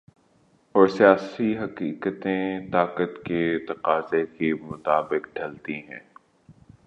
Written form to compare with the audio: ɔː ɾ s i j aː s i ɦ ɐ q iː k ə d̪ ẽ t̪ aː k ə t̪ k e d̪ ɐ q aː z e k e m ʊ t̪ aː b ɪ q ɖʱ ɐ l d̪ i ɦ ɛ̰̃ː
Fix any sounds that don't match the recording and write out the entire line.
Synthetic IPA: ɔː ɾ s i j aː s i ɦ ɐ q iː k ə t̪ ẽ t̪ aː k ə t̪ k e t̪ ɐ q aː z e k e m ʊ t̪ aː b ɪ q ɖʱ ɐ l t̪ i ɦ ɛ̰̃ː